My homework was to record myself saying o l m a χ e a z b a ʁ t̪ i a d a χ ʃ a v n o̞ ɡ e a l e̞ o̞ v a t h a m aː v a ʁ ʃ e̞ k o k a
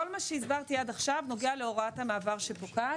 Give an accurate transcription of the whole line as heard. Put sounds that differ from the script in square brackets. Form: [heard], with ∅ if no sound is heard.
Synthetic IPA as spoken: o l m a [ʃ] e [i] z b a ʁ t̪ i a d a χ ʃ a v n o̞ ɡ e a l e̞ o̞ [ʁ] a t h a m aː v a ʁ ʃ e̞ [p] o k a